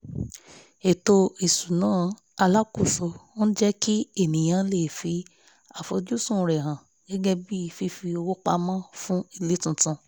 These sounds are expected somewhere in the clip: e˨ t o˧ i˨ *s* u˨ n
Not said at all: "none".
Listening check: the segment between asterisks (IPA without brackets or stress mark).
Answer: s